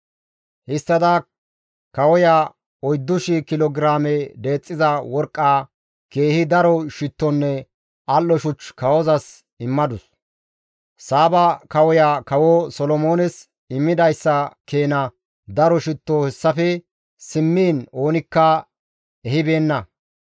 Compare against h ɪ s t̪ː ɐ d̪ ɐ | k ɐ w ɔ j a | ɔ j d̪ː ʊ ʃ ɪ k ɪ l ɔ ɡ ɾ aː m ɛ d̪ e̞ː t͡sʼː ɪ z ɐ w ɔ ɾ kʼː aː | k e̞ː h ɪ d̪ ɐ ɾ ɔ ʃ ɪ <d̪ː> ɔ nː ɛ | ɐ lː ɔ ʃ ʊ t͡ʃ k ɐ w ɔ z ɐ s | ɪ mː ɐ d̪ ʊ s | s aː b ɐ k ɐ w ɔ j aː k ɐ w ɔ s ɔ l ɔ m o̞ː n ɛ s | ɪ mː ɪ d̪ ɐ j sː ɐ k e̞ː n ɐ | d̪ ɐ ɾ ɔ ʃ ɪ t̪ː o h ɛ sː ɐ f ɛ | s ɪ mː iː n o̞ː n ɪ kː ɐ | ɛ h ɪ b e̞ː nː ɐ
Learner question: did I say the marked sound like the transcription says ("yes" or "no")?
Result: no